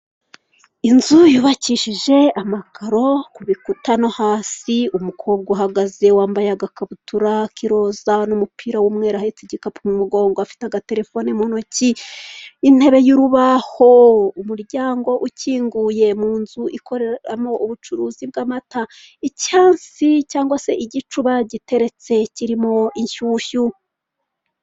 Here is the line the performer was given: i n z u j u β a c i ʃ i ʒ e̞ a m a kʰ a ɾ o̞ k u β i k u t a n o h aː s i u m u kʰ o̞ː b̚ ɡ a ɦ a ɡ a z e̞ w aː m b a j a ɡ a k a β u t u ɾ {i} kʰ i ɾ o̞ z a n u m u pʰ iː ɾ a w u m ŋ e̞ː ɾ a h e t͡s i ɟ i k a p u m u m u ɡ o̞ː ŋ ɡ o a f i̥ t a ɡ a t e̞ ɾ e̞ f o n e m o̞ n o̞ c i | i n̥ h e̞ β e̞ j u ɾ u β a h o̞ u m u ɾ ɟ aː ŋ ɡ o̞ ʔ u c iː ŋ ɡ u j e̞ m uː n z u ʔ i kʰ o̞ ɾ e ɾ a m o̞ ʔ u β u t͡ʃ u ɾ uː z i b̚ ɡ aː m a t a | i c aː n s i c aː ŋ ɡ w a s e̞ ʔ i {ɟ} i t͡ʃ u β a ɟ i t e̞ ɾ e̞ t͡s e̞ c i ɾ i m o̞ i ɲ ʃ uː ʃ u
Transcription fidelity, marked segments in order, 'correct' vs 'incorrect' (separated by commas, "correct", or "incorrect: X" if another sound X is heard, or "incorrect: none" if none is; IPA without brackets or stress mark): incorrect: a, correct